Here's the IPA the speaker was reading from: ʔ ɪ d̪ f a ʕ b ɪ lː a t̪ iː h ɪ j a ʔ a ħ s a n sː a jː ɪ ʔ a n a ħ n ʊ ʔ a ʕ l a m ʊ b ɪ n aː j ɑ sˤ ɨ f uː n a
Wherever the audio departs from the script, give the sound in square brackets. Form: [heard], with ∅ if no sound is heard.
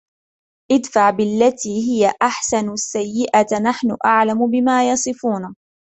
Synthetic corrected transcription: ʔ ɪ d̪ f a ʕ b ɪ lː a t̪ iː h ɪ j a ʔ a ħ s a n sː a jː ɪ ʔ a n a ħ n ʊ ʔ a ʕ l a m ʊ b ɪ [m] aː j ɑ sˤ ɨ f uː n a